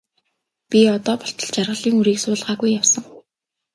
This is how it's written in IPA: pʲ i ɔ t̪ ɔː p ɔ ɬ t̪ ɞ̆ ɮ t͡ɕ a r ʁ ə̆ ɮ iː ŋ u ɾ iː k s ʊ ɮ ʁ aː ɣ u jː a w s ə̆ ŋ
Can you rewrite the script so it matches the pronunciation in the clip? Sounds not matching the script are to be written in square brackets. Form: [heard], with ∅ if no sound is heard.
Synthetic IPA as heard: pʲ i ɔ t̪ ɔː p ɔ ɬ t̪ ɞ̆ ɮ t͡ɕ a r ʁ ə̆ ɮ iː ŋ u ɾ iː k s [ʊː] ɮ ʁ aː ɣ u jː a w s ə̆ ŋ